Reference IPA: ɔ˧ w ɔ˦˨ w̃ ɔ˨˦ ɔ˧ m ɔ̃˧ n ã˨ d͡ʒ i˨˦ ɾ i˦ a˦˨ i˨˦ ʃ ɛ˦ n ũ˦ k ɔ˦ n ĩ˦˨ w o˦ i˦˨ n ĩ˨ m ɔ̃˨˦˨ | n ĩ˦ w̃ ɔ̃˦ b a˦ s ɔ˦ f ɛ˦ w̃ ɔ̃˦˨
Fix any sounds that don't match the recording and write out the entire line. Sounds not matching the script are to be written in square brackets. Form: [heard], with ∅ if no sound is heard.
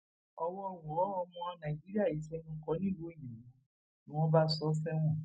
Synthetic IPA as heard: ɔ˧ w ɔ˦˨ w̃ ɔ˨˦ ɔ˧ m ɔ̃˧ n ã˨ d͡ʒ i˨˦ ɾ i˦ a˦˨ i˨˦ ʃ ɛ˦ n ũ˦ k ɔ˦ n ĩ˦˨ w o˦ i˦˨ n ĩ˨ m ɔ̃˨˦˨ | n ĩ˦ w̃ ɔ̃˦ b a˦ s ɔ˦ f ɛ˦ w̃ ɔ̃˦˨